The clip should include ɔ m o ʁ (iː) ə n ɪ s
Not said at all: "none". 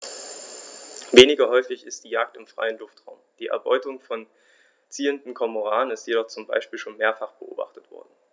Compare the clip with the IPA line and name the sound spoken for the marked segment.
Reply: aː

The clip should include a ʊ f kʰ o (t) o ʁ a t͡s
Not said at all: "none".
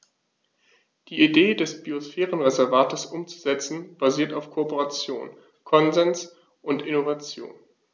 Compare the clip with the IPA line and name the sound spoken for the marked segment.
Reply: p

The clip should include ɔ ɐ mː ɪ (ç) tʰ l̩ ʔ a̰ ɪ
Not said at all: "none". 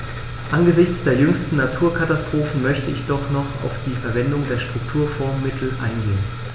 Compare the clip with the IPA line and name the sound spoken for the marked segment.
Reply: none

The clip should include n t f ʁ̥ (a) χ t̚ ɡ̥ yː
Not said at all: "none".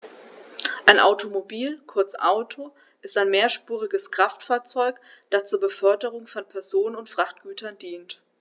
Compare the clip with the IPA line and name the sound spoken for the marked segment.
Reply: a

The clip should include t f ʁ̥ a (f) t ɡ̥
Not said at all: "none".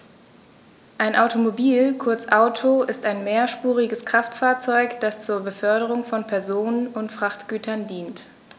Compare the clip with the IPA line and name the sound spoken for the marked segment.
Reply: χ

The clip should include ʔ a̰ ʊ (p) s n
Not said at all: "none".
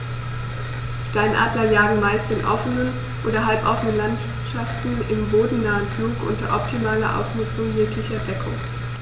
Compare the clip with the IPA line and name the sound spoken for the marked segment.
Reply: none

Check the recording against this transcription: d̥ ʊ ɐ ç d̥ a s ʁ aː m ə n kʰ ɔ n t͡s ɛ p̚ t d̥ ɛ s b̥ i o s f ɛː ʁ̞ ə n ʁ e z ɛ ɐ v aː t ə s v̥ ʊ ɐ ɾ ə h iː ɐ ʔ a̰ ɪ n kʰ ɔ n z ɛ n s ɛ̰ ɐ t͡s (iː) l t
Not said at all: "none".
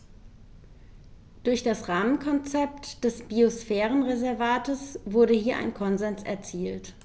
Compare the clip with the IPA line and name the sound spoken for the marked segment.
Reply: iː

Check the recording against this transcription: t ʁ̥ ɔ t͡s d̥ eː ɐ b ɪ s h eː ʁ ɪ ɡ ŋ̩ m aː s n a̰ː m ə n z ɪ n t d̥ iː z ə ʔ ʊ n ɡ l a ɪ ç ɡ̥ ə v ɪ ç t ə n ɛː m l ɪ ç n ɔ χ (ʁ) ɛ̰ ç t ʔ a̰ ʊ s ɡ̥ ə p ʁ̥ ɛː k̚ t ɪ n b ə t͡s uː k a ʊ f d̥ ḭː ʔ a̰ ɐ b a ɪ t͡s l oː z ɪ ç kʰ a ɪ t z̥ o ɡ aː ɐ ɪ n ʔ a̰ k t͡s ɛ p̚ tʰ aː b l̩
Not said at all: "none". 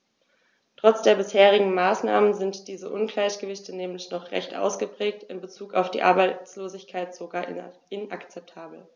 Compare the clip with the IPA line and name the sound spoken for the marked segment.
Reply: ʁ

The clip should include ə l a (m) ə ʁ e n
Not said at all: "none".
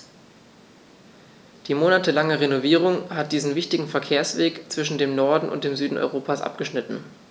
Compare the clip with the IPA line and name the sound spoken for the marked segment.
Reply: ŋ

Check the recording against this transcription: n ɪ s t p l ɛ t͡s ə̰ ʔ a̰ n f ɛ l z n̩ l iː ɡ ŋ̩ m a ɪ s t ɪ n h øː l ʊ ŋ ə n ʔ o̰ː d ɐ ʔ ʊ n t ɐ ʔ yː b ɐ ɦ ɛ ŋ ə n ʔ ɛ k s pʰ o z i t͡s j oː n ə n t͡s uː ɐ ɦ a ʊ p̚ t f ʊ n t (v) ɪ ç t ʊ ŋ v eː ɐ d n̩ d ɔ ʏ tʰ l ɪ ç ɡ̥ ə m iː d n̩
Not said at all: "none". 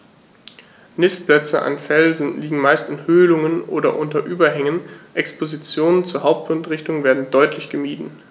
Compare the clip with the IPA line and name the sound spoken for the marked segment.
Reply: ʁ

